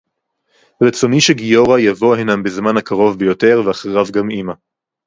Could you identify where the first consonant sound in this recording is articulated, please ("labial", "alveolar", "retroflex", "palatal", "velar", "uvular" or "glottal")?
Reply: uvular